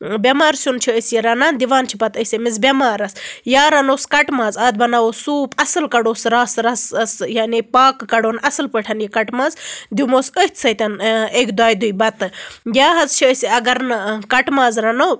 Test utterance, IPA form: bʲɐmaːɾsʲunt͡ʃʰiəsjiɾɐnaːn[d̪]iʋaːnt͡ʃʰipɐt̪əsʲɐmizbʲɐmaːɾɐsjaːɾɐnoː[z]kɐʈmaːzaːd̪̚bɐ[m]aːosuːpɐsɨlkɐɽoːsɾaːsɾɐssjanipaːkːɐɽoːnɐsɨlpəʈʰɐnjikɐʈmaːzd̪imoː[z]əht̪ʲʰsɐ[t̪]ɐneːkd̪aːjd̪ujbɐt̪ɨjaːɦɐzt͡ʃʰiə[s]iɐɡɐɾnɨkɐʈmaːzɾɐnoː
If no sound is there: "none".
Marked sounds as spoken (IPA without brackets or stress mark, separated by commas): d̪, s, n, s, t̪, s